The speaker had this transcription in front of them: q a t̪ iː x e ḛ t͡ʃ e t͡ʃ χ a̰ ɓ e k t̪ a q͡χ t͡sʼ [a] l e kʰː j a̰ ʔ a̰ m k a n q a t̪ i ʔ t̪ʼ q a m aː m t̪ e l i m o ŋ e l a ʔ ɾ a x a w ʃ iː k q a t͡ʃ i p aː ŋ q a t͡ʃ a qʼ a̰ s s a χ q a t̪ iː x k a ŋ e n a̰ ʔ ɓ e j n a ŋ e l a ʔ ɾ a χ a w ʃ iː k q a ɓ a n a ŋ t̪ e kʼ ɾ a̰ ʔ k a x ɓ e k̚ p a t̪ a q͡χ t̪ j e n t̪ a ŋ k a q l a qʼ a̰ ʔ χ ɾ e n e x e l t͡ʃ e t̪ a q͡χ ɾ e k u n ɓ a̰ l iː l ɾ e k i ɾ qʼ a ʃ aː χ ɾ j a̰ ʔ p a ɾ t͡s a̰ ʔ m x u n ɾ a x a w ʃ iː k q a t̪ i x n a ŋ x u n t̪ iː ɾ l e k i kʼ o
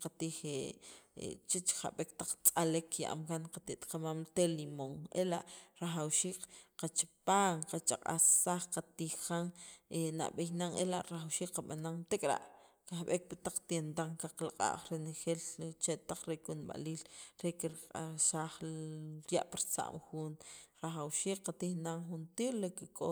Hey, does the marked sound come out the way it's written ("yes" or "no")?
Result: yes